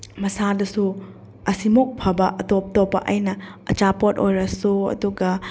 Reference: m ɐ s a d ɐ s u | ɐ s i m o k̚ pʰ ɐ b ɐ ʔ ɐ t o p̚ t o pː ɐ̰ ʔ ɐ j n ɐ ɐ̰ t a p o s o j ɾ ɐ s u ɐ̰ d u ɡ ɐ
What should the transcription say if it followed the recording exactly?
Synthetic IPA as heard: m ɐ s a d ɐ s u | ɐ s i m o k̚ pʰ ɐ b ɐ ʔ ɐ t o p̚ t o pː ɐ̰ ʔ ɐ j n ɐ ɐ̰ t͡ʃ a p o t o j ɾ ɐ s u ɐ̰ d u ɡ ɐ

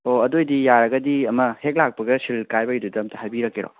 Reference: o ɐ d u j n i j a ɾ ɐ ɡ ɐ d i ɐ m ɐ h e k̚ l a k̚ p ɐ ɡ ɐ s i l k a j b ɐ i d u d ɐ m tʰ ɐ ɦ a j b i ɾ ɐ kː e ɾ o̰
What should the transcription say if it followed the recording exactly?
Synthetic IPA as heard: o ɐ d o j d i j a ɾ ɐ ɡ ɐ d i ɐ m ɐ h e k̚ l a k̚ p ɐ ɡ ɐ s i l k a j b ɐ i d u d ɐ m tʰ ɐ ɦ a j b i ɾ ɐ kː e ɾ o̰

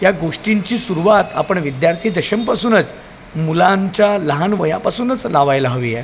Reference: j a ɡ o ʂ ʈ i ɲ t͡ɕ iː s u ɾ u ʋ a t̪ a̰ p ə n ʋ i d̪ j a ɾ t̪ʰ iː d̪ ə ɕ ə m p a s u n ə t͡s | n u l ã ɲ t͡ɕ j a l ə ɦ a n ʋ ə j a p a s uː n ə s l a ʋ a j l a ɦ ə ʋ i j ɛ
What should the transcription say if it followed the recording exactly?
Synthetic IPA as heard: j a ɡ o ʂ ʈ i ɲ t͡ɕ iː s u ɾ u ʋ a t̪ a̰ p ə ɳ ʋ i d̪ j a ɾ t̪ʰ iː d̪ ə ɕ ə m p a s uː n ə t͡s | m u l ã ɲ t͡ɕ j a l ə ɦ a n ʋ ə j a p a s uː n ə t͡s l a ʋ a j l a ɦ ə ʋ i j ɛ

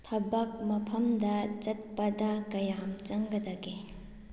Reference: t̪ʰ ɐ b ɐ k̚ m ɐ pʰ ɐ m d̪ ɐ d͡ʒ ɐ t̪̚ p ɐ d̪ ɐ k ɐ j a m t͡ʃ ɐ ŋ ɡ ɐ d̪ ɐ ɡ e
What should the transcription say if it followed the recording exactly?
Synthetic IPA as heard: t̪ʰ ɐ b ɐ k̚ m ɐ pʰ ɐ m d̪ ɐ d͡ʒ ɐ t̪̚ p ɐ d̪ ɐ k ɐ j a m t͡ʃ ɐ ŋ ɡ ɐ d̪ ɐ ɡ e

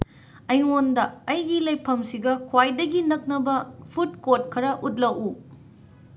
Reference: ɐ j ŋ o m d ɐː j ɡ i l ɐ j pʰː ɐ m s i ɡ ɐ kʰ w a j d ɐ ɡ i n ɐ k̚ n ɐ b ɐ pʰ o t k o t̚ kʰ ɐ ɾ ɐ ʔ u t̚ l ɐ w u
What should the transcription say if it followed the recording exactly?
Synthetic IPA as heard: ɐ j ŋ o n d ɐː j ɡ i l ɐ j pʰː ɐ m s i ɡ ɐ kʰ w a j d ɐ ɡ i n ɐ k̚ n ɐ b ɐ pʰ u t k o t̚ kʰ ɐ ɾ ɐ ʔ u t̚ l ɐ w u

